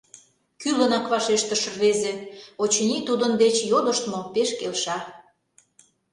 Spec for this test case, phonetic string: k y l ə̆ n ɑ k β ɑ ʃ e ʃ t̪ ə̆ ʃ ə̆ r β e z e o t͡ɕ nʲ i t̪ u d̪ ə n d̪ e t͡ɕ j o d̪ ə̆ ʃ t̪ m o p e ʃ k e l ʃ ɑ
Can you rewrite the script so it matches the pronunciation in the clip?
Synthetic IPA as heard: k y l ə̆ n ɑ k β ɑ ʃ e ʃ t̪ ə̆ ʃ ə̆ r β e z e o t͡ɕ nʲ i t̪ u d̪ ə n d̪ e t͡ɕ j o d̪ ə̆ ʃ t̪ m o p e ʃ k e l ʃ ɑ